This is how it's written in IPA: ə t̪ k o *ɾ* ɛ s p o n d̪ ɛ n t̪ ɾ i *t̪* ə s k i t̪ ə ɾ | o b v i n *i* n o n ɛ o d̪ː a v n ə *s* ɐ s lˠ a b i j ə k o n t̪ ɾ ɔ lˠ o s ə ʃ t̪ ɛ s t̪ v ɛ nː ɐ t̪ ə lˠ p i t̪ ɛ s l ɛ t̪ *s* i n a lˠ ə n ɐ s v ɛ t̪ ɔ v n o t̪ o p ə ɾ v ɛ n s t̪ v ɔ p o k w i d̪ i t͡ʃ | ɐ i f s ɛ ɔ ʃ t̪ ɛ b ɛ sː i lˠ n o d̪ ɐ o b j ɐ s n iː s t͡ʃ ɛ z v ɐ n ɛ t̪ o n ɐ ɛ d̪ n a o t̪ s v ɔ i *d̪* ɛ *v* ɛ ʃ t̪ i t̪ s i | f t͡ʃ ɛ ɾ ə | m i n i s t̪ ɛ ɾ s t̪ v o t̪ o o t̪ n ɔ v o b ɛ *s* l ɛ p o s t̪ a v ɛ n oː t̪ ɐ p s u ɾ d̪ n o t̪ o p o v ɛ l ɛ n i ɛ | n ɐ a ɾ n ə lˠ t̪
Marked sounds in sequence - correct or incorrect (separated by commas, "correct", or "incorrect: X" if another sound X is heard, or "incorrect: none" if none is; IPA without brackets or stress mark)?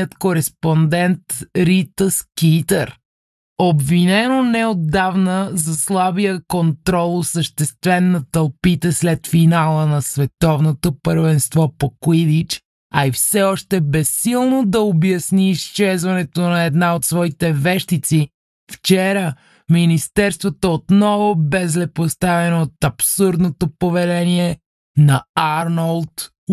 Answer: correct, correct, incorrect: ɛ, incorrect: z, incorrect: f, incorrect: t̪, correct, incorrect: z